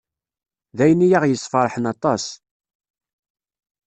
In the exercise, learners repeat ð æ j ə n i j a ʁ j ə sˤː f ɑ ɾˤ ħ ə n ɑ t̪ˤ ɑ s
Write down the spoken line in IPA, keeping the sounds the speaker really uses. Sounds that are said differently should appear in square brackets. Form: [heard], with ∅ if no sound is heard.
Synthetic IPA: ð æ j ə n i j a ʁ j ə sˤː f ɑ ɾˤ ħ ə n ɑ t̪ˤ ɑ s